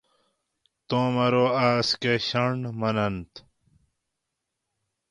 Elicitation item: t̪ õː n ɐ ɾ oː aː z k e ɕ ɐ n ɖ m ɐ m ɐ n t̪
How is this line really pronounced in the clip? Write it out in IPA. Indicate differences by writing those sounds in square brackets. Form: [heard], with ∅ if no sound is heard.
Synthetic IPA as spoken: t̪ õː [m] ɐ ɾ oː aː [s] k e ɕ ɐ [ɳ] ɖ m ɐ [n] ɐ n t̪